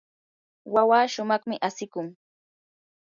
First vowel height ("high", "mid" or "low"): low